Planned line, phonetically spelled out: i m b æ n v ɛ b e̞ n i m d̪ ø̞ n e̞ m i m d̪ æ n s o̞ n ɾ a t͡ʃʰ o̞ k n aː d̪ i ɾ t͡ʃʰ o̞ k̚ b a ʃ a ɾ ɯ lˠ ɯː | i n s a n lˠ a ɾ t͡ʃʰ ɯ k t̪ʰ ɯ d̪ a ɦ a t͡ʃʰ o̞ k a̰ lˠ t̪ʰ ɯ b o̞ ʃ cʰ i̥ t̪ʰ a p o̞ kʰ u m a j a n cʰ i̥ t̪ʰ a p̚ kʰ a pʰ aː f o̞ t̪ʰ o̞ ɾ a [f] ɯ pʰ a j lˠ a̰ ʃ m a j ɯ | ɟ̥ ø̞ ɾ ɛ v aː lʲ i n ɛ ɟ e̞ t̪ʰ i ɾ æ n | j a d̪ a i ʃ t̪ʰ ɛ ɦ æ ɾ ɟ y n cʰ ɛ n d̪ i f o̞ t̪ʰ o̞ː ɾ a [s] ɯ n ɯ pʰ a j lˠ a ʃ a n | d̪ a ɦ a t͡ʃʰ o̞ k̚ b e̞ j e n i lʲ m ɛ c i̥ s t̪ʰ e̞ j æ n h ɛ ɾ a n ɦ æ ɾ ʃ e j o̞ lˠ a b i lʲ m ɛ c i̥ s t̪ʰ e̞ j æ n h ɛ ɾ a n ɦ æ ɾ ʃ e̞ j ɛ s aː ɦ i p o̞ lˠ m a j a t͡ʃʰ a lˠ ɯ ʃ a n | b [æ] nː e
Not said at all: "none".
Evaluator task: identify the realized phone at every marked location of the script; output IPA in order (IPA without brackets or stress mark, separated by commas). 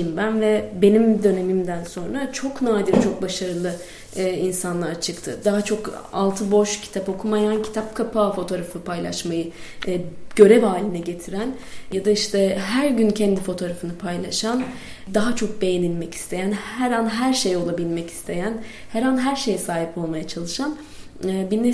f, f, i